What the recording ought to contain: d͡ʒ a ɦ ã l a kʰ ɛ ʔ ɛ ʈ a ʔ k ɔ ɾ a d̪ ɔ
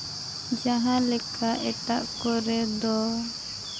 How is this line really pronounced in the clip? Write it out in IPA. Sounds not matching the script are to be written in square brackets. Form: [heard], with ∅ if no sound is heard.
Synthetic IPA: d͡ʒ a ɦ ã l [ɛ] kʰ [a] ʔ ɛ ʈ a ʔ k ɔ ɾ [ɛ] d̪ ɔ